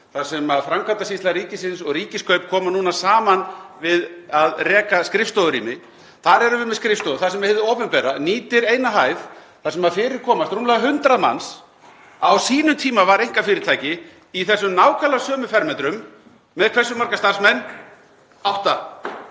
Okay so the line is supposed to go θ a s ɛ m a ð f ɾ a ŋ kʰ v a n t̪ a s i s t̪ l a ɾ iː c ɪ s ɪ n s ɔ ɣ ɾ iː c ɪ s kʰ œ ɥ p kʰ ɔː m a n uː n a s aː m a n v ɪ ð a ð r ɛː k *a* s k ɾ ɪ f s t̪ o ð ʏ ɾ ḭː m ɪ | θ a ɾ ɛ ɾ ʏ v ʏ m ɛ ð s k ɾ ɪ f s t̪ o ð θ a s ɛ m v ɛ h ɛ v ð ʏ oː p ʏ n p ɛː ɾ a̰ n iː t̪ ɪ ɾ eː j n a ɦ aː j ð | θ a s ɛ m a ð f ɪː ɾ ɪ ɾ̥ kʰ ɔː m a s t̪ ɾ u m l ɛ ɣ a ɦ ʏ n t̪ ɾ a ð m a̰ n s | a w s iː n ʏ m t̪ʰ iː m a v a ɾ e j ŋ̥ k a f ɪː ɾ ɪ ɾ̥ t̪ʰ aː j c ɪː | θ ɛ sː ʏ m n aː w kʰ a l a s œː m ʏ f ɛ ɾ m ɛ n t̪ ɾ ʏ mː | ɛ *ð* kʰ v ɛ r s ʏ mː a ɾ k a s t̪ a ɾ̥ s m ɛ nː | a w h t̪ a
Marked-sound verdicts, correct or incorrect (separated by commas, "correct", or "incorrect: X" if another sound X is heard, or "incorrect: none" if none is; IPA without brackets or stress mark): correct, correct